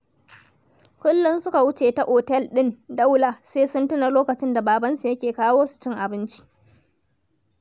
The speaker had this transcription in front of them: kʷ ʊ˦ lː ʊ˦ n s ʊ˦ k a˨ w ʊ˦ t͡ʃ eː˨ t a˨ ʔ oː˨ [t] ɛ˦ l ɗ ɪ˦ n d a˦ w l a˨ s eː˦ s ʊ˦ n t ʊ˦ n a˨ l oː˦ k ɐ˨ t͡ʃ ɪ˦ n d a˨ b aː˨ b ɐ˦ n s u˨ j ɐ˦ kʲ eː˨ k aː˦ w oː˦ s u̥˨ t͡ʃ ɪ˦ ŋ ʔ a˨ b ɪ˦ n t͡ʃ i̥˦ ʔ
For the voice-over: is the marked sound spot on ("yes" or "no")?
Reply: yes